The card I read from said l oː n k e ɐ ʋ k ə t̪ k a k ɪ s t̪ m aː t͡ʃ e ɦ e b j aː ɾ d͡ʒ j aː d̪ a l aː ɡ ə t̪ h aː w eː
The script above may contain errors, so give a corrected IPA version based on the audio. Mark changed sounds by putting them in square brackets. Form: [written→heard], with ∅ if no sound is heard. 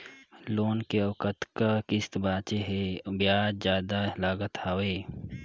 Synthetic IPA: l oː n k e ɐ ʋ k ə t̪ k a k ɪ s t̪ [m→b] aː t͡ʃ e ɦ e b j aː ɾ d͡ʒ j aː d̪ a l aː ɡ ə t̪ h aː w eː